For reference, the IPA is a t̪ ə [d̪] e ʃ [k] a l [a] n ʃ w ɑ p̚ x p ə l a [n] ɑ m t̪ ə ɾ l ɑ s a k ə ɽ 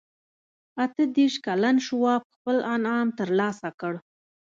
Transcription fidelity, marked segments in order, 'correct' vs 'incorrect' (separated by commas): correct, correct, correct, correct